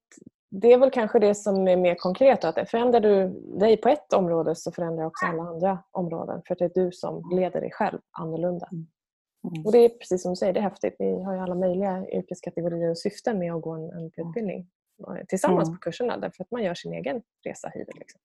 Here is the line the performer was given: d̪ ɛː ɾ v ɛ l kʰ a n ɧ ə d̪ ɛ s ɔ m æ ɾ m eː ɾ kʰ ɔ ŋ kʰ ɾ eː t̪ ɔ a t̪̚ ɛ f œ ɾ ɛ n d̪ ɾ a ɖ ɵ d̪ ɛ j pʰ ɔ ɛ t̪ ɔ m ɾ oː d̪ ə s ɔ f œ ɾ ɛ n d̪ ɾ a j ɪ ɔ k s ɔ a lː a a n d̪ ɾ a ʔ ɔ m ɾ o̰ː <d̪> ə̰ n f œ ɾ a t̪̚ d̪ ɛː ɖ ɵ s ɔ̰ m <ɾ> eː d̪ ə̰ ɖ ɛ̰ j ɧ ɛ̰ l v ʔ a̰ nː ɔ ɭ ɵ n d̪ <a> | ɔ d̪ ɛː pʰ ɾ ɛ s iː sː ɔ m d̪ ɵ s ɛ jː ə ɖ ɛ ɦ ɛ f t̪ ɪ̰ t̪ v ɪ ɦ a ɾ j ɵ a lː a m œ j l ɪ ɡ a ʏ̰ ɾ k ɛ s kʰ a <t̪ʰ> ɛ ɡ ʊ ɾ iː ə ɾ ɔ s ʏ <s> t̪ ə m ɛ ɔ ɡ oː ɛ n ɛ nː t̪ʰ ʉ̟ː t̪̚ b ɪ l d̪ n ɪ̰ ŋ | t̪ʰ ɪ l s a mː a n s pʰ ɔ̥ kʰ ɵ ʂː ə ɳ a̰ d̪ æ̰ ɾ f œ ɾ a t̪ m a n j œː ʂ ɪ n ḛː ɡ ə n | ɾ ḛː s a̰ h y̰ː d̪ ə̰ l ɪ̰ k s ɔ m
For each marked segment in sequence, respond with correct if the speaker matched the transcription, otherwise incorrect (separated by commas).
correct, incorrect, correct, incorrect, incorrect